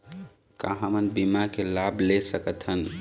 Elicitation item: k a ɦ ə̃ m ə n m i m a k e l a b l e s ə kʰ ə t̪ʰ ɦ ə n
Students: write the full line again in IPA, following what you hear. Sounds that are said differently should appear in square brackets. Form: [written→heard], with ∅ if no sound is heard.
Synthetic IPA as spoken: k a ɦ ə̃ m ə n [m→b] i m a k e l a b l e s ə [kʰ→k] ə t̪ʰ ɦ ə n